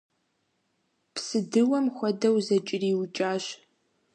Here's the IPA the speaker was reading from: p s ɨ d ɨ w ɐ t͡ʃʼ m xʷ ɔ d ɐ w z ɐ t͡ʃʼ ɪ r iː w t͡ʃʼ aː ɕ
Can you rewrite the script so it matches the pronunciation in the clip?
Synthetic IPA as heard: p s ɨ d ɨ w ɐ m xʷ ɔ d ɐ w z ɐ t͡ʃʼ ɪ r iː w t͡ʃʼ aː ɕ